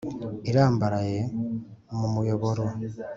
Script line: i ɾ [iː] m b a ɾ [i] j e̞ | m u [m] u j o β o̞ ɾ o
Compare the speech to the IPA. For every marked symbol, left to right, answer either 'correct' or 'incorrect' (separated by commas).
incorrect, incorrect, correct